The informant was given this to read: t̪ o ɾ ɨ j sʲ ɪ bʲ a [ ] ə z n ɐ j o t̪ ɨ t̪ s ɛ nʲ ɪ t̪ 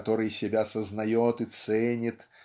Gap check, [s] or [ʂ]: s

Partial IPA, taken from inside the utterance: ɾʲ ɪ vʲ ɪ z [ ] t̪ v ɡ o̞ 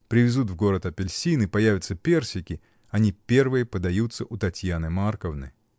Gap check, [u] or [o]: u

